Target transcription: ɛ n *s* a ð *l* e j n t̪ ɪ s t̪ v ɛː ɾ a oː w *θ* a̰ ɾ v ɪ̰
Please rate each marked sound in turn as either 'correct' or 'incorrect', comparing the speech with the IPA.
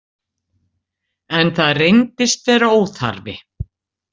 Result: incorrect, incorrect, correct

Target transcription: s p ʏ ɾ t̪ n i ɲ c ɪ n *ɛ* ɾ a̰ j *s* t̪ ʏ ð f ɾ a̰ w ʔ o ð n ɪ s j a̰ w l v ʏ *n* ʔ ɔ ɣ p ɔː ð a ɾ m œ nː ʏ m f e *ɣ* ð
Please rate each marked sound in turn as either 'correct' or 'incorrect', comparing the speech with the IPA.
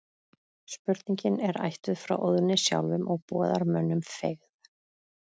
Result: correct, incorrect, incorrect, correct

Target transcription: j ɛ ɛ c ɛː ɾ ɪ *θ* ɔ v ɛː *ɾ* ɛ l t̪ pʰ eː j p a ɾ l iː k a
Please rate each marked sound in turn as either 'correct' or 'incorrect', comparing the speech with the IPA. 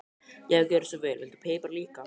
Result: incorrect, incorrect

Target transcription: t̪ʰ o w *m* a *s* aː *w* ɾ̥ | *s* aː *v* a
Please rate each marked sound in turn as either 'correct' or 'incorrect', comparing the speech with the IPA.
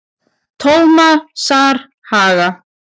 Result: correct, correct, incorrect, incorrect, incorrect

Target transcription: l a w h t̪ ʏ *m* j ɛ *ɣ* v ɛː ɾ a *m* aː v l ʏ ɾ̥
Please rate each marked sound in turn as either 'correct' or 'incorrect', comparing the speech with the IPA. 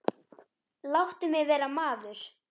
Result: correct, correct, correct

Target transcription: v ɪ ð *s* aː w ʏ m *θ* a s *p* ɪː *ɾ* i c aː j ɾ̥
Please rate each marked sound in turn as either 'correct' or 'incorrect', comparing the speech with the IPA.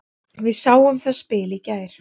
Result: correct, correct, correct, incorrect

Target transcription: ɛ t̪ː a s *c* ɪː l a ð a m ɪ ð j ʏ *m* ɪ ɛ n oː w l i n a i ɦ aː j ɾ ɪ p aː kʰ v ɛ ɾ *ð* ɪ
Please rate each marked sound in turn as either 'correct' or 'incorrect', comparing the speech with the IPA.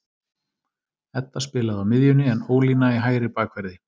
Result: incorrect, incorrect, correct

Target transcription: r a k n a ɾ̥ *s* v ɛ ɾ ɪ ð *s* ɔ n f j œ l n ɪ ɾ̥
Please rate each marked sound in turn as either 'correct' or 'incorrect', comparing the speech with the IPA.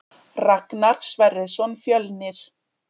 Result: correct, correct

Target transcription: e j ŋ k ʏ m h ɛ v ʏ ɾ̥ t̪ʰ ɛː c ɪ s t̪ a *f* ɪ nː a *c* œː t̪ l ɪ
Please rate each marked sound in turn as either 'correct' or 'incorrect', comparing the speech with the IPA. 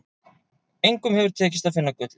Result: correct, incorrect

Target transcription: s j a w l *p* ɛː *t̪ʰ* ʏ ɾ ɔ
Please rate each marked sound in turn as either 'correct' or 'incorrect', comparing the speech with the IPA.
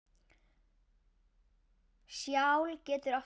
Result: incorrect, incorrect

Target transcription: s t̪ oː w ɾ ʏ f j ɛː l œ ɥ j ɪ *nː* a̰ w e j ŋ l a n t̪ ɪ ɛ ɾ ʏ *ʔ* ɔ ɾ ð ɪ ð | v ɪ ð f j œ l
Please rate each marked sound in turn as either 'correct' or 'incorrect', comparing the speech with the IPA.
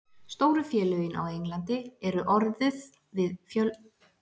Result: incorrect, correct

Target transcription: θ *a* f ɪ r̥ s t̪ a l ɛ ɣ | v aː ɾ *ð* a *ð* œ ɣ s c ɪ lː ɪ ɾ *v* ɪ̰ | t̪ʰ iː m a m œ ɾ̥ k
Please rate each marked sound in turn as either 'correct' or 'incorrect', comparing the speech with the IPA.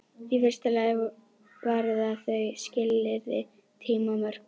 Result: incorrect, correct, incorrect, incorrect

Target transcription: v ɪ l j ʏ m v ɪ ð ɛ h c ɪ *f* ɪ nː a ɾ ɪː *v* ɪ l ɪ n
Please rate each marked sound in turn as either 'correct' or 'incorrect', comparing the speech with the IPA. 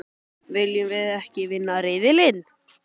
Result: incorrect, incorrect

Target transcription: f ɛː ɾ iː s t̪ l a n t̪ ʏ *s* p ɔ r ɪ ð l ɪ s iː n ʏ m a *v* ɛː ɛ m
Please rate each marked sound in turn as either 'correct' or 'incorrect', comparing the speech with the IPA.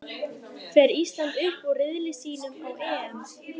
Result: incorrect, incorrect

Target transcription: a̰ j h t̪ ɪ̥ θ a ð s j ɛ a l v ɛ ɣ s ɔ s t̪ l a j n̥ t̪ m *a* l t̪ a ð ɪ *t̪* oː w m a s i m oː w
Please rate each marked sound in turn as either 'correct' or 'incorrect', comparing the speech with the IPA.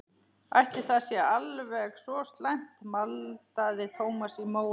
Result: correct, incorrect

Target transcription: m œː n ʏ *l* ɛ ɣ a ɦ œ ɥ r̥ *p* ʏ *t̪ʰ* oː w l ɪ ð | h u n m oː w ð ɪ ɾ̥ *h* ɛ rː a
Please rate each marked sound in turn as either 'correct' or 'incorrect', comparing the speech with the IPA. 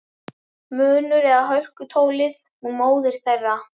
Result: incorrect, incorrect, correct, incorrect

